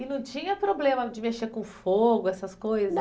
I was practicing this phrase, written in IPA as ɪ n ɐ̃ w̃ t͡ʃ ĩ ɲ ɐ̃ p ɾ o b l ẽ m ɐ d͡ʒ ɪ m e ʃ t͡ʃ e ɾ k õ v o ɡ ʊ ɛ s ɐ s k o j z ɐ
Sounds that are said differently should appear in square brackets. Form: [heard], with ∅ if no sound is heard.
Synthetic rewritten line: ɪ n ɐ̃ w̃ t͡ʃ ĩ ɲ [ɐ] p ɾ o b l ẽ m ɐ d͡ʒ ɪ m e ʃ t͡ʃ e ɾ k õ [f] o ɡ ʊ ɛ s ɐ s k o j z ɐ